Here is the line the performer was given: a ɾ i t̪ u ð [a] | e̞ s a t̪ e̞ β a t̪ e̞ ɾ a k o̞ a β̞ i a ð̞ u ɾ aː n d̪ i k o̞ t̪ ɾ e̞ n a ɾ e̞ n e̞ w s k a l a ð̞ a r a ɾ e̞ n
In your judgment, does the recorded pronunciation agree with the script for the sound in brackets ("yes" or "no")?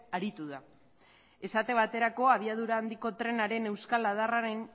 yes